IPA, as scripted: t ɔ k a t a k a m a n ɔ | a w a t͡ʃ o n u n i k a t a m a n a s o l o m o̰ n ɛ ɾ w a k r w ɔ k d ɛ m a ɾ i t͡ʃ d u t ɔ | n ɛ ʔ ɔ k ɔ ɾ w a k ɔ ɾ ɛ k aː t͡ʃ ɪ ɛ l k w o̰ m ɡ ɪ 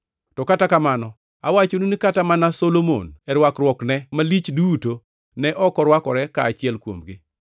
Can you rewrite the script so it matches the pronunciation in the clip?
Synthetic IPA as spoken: t ɔ k a t a k a m a n ɔ | a w a t͡ʃ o n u n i k a t a m a n a s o l o m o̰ n ɛ ɾ w a k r w ɔ k n ɛ m a l i t͡ʃ d u t o | n ɛ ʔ ɔ k ɔ ɾ w a k ɔ ɾ ɛ k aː t͡ʃ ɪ ɛ l k w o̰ m ɡ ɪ

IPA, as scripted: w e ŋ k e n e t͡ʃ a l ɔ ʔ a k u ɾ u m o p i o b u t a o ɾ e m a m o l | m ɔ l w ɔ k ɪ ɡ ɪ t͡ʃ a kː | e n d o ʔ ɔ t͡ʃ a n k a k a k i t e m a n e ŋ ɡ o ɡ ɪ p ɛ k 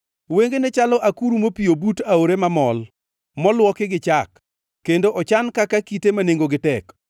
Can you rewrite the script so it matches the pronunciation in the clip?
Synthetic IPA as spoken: w e ŋ ɡ e n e t͡ʃ a l ɔ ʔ a k u ɾ u m o p i o b u t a o ɾ e m a m ɔ l | m ɔ l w ɔ k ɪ ɡ ɪ t͡ʃ a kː | e n d o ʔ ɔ t͡ʃ a n k a k a k i t e m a n e ŋ ɡ o ɡ ɪ t ɛ k

